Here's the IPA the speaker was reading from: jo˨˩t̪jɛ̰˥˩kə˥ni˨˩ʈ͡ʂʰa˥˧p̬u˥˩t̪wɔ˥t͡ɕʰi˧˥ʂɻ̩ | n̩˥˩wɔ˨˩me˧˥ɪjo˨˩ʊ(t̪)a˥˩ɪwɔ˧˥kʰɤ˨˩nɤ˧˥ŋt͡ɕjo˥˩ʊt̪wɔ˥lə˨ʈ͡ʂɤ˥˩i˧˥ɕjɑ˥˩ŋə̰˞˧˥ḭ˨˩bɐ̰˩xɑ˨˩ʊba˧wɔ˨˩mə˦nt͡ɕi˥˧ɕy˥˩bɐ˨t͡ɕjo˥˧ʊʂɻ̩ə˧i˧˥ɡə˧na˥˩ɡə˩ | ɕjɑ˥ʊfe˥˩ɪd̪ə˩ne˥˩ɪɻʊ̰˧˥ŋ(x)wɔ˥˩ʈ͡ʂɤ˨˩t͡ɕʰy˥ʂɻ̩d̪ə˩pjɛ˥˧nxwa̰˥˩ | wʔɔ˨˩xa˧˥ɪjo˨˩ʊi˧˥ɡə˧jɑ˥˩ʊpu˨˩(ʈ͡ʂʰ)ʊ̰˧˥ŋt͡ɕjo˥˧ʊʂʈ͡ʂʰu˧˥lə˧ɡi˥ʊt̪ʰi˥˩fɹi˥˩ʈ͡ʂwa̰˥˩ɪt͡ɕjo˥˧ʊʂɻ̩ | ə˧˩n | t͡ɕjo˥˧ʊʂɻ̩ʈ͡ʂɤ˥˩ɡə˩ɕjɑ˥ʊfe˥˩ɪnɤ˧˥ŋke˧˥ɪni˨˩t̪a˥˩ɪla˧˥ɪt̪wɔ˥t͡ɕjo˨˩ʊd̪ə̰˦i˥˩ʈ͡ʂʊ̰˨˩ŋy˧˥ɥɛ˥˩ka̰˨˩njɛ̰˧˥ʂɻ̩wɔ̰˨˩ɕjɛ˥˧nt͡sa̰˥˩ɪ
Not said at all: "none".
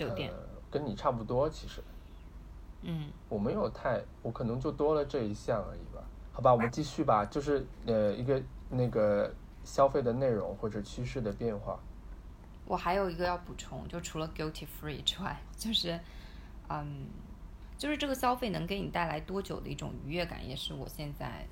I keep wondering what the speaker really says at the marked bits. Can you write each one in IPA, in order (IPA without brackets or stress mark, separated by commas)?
t̪ʰ, x, ʈ͡ʂʰ